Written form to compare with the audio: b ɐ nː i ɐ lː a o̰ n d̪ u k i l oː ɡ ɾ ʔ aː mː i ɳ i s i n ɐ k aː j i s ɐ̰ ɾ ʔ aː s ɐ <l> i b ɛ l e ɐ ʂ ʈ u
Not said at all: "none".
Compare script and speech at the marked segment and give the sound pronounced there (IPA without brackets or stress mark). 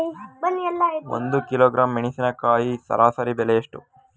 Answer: ɾ